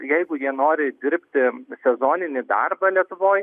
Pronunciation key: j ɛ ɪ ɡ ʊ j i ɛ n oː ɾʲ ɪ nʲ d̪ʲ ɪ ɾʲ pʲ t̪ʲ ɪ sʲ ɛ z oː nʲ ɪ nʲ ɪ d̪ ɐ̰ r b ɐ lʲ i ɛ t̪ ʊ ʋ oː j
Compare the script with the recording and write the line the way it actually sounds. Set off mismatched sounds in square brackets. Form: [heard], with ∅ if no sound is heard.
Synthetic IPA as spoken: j ɛ ɪ ɡ ʊ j i ɛ n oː ɾʲ ɪ [∅] d̪ʲ ɪ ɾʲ pʲ t̪ʲ ɪ sʲ ɛ z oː nʲ ɪ nʲ ɪ d̪ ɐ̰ r b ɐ lʲ i ɛ t̪ ʊ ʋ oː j